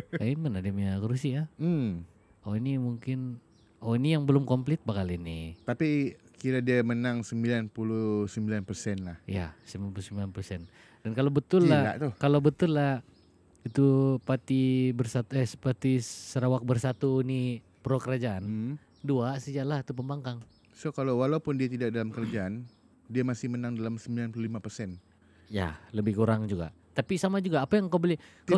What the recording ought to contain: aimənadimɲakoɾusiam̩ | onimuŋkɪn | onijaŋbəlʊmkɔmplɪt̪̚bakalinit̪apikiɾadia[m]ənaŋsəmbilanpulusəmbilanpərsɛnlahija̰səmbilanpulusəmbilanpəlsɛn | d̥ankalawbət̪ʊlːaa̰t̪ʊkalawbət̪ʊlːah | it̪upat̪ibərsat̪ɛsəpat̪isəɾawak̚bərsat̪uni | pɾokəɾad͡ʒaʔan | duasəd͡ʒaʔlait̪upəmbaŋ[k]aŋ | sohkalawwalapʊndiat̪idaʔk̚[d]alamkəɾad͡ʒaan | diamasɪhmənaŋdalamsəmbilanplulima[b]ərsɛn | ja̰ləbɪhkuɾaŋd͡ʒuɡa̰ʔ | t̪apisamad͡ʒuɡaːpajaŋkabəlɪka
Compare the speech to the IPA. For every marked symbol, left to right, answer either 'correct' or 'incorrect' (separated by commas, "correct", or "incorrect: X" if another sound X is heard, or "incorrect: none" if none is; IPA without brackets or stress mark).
correct, correct, correct, incorrect: p